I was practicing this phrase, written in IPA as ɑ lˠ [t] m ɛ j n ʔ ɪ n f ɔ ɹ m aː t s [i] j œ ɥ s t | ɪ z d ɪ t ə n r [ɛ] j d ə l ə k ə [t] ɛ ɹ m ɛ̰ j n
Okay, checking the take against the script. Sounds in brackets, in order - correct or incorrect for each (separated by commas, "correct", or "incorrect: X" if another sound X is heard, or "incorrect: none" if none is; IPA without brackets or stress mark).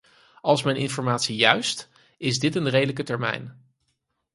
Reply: incorrect: s, correct, incorrect: e, correct